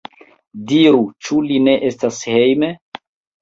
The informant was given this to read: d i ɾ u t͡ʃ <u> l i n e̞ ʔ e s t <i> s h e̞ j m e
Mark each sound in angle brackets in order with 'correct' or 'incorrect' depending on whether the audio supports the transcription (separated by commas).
correct, incorrect